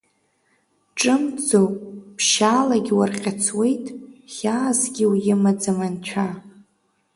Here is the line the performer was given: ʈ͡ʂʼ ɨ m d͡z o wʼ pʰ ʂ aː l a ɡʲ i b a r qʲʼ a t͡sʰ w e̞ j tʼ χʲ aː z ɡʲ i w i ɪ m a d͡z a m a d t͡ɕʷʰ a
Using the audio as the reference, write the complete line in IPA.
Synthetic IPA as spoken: ʈ͡ʂʼ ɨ m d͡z o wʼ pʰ ʃ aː l a ɡʲ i w a r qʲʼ a t͡sʰ w e̞ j tʼ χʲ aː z ɡʲ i w j ɪ m a d͡z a m a n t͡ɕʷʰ a